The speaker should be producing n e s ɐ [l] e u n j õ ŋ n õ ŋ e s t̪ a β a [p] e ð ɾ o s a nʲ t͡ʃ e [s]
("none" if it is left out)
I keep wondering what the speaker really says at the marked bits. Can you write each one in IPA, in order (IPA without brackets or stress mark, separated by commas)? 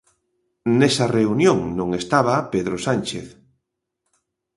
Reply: r, p, θ